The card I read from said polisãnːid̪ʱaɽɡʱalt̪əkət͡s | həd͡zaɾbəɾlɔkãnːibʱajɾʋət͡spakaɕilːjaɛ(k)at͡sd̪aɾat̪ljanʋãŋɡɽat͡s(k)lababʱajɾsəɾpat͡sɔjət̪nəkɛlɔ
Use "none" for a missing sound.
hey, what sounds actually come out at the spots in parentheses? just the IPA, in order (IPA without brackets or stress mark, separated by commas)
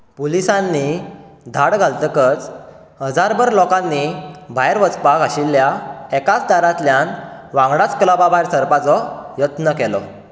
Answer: k, k